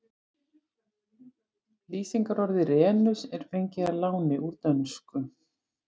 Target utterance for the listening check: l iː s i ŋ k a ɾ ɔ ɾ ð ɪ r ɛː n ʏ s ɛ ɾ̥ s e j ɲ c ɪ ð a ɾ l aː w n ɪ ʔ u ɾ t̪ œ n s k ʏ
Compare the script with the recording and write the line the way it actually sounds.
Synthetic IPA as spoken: l iː s i ŋ k a ɾ ɔ ɾ ð ɪ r ɛː n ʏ s ɛ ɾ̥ f e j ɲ c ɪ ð a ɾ l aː w n ɪ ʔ u ɾ t̪ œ n s k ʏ